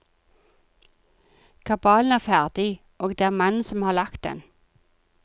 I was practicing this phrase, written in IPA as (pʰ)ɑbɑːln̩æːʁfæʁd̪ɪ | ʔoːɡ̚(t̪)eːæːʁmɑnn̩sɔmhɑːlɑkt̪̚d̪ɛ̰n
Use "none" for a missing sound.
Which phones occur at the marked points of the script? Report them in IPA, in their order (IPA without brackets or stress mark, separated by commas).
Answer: kʰ, d̪